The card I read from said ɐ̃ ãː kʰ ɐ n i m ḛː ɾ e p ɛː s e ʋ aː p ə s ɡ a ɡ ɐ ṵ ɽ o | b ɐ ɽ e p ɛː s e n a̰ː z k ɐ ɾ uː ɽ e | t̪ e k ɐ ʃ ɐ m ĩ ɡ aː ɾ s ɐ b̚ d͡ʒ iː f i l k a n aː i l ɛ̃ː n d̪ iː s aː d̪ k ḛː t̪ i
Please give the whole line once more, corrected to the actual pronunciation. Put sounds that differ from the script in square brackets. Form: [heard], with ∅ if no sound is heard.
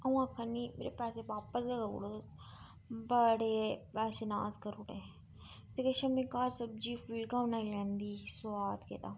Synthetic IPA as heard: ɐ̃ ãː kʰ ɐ n i m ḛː ɾ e p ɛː s e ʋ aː p ə s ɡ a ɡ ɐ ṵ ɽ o | b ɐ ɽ e p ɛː s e n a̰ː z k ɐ ɾ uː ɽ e | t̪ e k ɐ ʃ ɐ m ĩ [k] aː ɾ s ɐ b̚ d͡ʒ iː f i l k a n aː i l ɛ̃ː n d̪ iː s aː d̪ k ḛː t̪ [a]